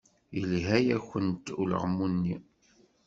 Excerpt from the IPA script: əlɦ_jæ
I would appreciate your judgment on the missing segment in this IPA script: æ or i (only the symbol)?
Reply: æ